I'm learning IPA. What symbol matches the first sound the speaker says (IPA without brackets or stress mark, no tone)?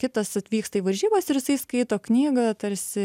kʲ